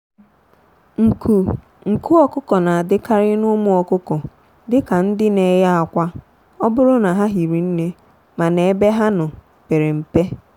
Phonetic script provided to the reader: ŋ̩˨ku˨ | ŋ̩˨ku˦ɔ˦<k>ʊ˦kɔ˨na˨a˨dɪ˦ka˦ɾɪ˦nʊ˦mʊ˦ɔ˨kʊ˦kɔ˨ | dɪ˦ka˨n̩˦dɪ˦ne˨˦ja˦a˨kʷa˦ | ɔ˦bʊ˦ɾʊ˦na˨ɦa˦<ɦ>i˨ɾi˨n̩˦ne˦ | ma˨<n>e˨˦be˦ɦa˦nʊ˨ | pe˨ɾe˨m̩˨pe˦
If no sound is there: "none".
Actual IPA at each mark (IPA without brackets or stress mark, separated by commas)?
k, ɦ, n